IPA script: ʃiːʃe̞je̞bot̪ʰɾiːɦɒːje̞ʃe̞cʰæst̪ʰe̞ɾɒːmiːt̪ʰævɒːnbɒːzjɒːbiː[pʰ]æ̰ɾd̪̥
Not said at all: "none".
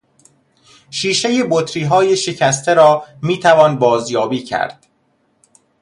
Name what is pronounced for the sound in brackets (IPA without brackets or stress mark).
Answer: cʰ